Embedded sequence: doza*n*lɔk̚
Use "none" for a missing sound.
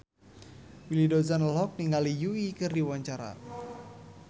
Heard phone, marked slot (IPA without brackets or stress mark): n